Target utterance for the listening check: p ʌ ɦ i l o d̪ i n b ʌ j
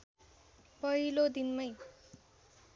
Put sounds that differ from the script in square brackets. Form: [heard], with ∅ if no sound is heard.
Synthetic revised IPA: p ʌ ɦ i l o d̪ i n [m] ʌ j